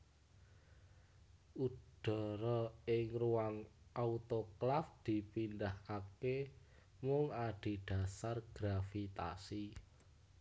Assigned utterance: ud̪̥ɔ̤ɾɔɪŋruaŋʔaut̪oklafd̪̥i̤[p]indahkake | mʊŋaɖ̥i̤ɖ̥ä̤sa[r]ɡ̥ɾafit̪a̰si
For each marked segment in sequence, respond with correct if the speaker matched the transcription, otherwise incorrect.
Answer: correct, correct

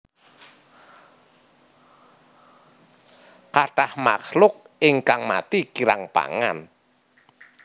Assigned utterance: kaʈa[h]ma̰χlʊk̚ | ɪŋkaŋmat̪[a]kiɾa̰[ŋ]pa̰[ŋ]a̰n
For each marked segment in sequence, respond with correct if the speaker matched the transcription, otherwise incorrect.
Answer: correct, incorrect: i, correct, correct

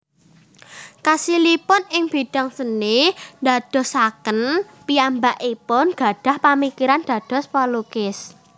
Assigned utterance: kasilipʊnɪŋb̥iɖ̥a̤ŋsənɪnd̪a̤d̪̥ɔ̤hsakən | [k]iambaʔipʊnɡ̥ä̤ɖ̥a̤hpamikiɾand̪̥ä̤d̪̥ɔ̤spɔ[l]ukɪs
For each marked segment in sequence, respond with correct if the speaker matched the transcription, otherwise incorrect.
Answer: incorrect: p, correct

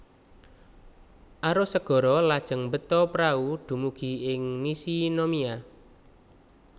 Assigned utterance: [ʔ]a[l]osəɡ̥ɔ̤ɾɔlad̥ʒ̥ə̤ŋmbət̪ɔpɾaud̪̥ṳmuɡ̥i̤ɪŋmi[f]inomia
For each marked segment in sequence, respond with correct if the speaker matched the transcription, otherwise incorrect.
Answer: correct, incorrect: ɾ, incorrect: s

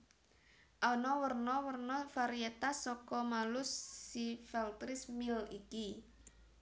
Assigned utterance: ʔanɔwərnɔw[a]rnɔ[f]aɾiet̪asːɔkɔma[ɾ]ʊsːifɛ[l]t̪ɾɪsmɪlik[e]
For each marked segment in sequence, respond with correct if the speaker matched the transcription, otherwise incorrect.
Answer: incorrect: ə, correct, incorrect: l, correct, incorrect: i

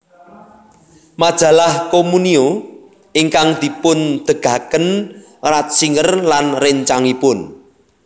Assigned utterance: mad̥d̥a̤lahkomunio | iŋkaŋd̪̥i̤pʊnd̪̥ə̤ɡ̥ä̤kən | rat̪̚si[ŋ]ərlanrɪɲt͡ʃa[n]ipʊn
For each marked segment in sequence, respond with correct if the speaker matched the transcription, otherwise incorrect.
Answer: correct, incorrect: ŋ

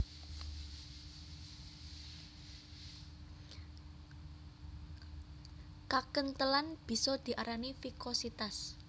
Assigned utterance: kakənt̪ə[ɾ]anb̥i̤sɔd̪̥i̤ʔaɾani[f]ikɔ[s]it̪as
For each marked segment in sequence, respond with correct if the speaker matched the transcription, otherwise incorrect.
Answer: incorrect: l, correct, correct

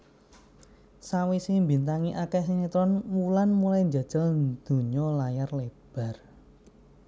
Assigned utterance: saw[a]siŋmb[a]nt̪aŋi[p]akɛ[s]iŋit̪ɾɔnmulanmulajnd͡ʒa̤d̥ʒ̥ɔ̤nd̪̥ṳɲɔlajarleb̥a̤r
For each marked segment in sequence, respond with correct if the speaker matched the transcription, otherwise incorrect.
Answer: incorrect: i, incorrect: i, incorrect: ʔ, correct

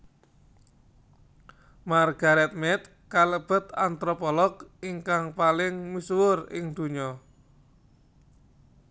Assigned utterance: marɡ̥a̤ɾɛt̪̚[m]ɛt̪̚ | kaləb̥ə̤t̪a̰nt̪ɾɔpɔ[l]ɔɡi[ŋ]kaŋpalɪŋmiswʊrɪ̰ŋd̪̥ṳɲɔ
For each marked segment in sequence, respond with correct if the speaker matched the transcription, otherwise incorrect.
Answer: correct, correct, correct

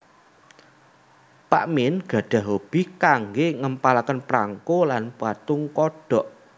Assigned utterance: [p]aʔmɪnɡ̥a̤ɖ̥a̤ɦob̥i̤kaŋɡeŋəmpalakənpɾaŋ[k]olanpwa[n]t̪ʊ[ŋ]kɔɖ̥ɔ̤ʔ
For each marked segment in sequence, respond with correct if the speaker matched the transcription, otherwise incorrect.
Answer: correct, correct, incorrect: none, correct

